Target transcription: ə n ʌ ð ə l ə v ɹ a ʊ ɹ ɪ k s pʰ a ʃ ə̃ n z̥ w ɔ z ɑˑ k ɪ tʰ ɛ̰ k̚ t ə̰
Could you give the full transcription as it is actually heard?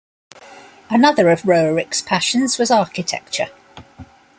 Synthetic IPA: ə n ʌ ð ə ɹ ə v ɹ ə ʊ ɹ ɪ k s pʰ a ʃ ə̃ n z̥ w ɒ z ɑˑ k ɪ tʰ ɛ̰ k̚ t͡ʃ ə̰